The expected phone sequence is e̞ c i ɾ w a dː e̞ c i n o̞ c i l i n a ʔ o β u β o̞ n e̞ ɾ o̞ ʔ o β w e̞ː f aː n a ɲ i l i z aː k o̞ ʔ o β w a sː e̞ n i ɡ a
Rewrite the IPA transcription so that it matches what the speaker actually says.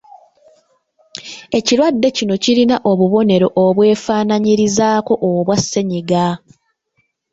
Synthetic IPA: e̞ c i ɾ w a dː e̞ c i n o̞ c i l i n a ʔ o β u β o̞ n e̞ ɾ o̞ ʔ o β w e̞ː f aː n a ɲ i ɾ i z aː k o̞ ʔ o β w a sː e̞ ɲ i ɡ a

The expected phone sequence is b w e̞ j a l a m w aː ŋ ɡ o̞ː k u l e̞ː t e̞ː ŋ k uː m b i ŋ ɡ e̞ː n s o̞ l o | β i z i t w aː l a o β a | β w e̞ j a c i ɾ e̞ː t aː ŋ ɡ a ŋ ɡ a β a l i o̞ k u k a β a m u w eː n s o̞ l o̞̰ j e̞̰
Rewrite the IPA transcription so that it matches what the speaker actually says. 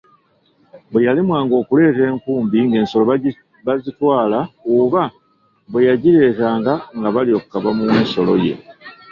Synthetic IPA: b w e̞ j a l i m w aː ŋ ɡ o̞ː k u l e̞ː t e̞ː ŋ k uː m b i ŋ ɡ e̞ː n s o̞ l o | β a z i t w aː l a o β a | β w e̞ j a ɟ i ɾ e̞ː t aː ŋ ɡ a ŋ ɡ a β a l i o̞ k u k a β a m u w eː n s o̞ l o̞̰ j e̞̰

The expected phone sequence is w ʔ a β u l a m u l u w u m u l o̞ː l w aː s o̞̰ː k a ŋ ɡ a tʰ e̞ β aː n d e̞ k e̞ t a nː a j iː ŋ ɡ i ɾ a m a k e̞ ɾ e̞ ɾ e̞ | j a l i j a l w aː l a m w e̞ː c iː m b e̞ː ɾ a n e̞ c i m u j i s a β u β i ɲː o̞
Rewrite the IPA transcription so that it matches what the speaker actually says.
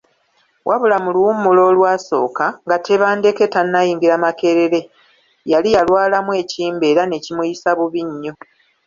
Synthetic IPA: w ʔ a β u l a m u l u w u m u l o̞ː l w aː s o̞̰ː k a ŋ ɡ a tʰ e̞ β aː n d e̞ k e̞ t a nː a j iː ŋ ɡ i ɾ a m a k e̞ ɾ e̞ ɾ e̞ | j a l i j a l w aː l a m w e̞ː c iː m b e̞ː ɾ a n e̞ c i m u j i s a β u β i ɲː o̞

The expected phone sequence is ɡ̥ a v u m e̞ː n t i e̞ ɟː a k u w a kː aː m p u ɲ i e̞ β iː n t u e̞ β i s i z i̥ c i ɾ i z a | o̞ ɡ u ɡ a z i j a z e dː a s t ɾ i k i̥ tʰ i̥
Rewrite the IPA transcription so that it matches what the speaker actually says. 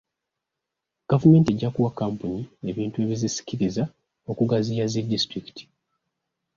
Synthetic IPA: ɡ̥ a v u m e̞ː n t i e̞ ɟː a k u w a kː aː m p u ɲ i e̞ β iː n t u e̞ β i z i s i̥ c i ɾ i z a | o̞ k u ɡ a z i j a z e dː i s t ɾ i k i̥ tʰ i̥

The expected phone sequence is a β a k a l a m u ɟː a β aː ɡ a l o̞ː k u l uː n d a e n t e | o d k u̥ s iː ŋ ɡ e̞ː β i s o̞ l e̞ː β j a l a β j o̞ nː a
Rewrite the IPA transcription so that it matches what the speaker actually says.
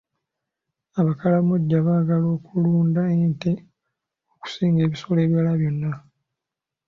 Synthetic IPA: a β a k a l a m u ɟː a β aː ɡ a l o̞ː k u l uː n d a e n t e | o k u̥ s iː ŋ ɡ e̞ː β i s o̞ l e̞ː β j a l a β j o̞ nː a

